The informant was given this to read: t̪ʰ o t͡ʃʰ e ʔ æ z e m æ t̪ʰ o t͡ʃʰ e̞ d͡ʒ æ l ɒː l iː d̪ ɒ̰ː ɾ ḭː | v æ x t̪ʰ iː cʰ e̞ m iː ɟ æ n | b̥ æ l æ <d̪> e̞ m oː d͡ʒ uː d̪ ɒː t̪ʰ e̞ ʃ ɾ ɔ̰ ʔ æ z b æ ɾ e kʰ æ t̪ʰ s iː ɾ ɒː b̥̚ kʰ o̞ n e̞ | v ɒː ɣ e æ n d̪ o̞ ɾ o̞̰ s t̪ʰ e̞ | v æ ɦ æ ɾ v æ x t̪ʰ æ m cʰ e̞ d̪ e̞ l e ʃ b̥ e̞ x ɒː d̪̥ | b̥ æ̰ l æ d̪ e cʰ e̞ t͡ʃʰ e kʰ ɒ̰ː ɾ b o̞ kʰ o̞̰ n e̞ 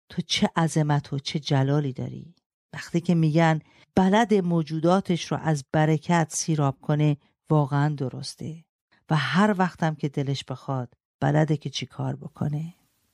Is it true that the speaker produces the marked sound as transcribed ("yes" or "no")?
yes